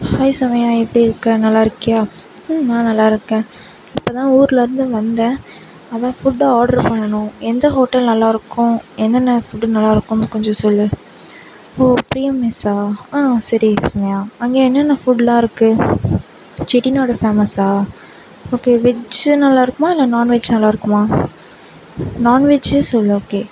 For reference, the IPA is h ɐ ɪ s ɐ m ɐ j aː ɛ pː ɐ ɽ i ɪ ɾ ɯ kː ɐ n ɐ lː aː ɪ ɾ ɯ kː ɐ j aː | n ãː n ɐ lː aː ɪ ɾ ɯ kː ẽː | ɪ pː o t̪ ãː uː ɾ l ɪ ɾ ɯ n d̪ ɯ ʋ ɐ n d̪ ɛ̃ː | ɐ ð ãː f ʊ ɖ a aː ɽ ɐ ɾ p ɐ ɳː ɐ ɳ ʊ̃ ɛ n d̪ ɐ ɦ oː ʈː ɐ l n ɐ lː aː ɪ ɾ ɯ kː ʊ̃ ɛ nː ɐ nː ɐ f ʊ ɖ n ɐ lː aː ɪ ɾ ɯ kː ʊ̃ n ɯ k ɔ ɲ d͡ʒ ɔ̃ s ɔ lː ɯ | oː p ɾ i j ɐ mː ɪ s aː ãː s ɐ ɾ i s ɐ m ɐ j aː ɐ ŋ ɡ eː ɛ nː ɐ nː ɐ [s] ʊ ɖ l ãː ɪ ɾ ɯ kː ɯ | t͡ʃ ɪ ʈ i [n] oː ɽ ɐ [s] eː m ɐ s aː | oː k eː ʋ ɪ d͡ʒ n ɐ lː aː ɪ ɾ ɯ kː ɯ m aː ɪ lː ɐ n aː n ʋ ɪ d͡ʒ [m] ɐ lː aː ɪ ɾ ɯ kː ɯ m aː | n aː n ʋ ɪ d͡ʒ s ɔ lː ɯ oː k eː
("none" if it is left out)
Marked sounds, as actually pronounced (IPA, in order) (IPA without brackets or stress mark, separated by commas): f, n, f, n